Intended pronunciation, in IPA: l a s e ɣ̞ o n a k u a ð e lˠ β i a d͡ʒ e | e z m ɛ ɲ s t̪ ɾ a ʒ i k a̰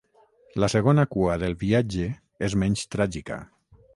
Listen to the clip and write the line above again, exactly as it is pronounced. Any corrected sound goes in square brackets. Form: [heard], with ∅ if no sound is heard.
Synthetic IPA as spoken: l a s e ɣ̞ o n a k u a ð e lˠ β i a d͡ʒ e | e z m ɛ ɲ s t̪ ɾ a ʒ i k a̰